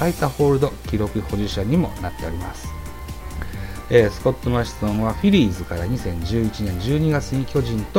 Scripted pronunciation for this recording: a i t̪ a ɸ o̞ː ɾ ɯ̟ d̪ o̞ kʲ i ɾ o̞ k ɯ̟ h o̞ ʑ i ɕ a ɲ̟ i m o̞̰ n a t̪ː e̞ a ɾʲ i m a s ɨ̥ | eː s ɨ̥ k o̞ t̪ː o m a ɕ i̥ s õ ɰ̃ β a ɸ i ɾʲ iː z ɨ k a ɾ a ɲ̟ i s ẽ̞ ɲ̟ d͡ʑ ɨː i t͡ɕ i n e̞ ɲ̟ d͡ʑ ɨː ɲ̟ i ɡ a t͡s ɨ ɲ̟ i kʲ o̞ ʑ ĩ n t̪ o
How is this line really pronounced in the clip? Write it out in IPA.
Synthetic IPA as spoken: a i t̪ a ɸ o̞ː ɾ ɯ̟ d̪ o̞ kʲ i ɾ o̞ k ɯ̟ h o̞ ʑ i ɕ a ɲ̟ i m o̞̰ n a t̪ː e̞ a ɾʲ i m a s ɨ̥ | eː s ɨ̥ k o̞ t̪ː o m a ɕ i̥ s õ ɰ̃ β a ɸ i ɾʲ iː z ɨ k a ɾ a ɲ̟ i s ẽ̞ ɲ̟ d͡ʑ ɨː i t͡ɕ i n ẽ̞ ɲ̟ d͡ʑ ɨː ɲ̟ i ɡ a t͡s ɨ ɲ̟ i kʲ o̞ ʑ ĩ n t̪ o